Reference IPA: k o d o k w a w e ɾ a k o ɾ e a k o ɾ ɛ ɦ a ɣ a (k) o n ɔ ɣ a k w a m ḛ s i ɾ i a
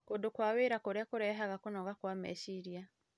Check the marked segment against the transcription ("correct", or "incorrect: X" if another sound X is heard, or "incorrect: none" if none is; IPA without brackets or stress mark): correct